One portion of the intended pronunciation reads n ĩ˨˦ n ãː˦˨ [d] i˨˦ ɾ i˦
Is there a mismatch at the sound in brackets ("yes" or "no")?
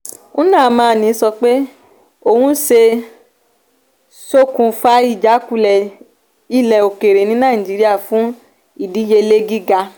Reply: yes